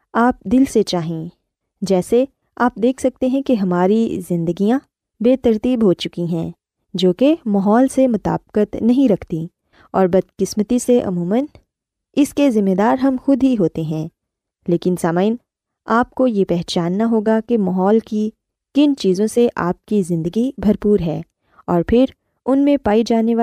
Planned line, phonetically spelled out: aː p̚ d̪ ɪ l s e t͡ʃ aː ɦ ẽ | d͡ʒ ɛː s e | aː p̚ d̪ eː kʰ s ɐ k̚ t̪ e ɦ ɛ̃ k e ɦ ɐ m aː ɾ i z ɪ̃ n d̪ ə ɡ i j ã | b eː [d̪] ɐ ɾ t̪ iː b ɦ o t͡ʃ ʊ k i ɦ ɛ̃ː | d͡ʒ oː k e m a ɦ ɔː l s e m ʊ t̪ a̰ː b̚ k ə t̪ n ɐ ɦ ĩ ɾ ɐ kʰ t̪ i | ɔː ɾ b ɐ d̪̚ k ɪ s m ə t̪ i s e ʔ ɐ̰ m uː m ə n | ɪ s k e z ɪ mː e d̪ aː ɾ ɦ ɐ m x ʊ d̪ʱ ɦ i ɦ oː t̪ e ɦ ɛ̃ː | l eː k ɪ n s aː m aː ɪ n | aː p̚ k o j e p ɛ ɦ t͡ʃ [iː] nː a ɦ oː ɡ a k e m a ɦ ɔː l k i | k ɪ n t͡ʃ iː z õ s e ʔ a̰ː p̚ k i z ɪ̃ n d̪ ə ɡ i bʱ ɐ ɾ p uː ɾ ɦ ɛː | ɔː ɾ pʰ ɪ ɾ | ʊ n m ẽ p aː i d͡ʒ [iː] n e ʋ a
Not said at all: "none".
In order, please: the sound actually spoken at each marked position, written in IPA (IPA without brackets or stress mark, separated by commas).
t̪, aː, aː